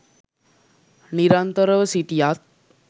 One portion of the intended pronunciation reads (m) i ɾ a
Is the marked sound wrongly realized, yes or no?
yes